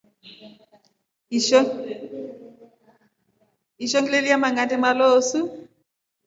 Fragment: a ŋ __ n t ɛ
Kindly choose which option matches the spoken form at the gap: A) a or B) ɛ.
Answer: A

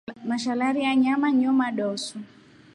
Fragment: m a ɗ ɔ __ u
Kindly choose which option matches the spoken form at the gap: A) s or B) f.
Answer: A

